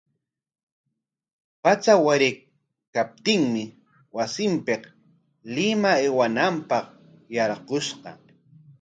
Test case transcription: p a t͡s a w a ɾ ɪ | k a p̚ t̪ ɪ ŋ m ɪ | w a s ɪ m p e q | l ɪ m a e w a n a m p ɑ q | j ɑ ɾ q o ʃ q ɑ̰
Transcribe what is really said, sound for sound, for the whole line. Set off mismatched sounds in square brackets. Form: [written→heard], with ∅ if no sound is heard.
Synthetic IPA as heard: p a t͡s a w a ɾ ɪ | k a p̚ t̪ ɪ ŋ m ɪ | w a s ɪ m p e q | l ɪ m a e w a n a m p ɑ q | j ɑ ɾ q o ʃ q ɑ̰